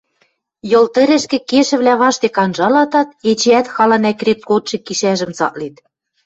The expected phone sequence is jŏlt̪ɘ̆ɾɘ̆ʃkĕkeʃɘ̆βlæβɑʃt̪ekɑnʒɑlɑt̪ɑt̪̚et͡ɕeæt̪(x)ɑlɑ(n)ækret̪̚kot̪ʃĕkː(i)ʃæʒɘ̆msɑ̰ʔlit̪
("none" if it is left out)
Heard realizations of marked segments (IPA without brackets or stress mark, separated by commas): x, n, i